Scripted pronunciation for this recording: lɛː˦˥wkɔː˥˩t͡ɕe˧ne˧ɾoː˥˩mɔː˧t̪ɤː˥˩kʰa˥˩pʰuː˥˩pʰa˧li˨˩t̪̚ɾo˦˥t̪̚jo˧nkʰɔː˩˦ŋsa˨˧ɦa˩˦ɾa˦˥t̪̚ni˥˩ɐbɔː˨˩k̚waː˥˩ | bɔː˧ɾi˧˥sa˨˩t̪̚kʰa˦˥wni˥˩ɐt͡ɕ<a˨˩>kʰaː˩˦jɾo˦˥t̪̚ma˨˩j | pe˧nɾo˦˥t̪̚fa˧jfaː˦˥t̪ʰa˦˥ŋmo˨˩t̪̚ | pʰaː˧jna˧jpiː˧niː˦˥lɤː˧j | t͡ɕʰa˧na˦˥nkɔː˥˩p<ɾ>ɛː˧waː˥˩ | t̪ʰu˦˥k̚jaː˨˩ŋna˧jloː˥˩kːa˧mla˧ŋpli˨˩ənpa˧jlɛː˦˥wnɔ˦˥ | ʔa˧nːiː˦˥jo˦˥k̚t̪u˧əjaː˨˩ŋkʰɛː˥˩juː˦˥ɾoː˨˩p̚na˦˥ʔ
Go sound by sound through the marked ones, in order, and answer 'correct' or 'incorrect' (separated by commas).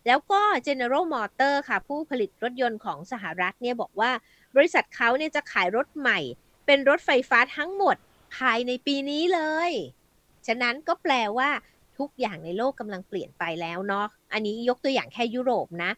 correct, incorrect